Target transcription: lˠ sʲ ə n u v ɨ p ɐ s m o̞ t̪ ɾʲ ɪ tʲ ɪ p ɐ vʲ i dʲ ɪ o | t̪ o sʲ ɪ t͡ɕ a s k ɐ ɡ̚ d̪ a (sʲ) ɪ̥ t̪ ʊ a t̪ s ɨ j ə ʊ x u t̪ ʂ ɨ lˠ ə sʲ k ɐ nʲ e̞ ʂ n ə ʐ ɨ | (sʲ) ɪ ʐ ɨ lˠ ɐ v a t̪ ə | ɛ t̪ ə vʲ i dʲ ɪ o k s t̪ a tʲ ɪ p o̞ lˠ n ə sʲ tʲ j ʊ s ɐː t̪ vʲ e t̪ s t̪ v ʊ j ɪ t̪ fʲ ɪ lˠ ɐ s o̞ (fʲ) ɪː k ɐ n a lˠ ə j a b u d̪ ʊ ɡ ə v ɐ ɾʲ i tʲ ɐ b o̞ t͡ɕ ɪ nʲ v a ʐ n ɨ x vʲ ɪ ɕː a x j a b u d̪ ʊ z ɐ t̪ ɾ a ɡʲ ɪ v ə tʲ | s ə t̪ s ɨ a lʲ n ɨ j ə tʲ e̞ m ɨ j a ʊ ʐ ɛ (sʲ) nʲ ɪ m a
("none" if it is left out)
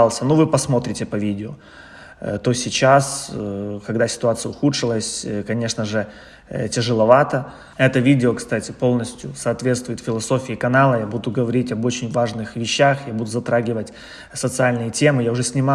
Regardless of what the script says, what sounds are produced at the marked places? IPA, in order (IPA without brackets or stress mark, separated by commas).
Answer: sʲ, tʲ, fʲ, sʲ